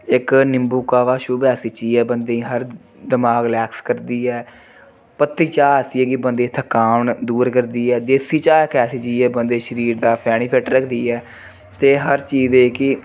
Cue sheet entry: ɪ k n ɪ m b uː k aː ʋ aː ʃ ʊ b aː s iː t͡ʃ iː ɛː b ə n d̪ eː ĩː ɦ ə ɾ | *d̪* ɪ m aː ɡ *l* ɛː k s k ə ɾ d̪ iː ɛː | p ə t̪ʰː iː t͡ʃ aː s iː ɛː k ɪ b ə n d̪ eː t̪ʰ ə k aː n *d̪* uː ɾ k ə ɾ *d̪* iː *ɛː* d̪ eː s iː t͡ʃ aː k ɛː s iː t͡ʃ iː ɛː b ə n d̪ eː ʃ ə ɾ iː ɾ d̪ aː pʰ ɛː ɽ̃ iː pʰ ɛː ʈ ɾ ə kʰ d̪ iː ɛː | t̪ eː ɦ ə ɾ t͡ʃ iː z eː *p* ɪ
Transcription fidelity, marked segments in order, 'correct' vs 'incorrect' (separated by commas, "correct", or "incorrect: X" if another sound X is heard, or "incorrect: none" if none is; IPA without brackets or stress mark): correct, correct, correct, correct, correct, incorrect: k